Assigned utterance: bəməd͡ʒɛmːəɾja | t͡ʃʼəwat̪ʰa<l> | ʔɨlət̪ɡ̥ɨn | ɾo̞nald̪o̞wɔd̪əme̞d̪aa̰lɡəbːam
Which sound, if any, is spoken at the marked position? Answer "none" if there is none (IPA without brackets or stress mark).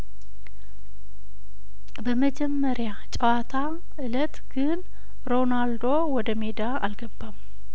none